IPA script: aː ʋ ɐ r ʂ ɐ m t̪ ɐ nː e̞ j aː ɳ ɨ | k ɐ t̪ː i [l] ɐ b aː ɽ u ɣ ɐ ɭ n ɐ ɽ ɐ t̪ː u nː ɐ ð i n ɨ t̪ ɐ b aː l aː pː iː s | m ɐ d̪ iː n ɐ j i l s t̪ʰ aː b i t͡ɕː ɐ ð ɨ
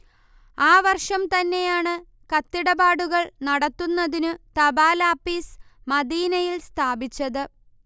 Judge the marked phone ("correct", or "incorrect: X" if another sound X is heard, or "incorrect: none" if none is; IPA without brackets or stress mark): incorrect: ɽ